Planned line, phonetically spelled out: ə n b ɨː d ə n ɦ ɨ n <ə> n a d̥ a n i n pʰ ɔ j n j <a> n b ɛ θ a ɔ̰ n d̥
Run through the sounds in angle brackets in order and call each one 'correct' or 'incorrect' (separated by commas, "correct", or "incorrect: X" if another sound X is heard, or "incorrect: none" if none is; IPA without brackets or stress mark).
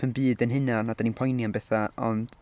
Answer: incorrect: a, correct